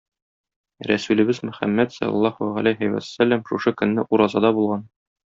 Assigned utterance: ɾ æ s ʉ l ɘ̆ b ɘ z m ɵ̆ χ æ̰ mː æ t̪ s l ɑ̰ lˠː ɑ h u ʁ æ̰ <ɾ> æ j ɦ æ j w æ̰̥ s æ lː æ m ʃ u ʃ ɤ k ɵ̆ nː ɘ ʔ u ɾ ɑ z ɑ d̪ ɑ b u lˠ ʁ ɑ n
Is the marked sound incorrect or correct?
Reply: incorrect